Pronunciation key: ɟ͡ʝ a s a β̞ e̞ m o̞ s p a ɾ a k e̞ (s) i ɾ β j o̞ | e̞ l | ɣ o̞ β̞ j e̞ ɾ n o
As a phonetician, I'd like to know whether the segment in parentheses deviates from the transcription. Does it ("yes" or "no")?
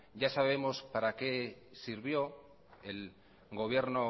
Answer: no